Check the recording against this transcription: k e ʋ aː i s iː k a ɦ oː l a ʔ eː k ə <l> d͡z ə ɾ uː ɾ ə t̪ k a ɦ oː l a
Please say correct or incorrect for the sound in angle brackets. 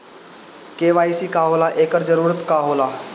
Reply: incorrect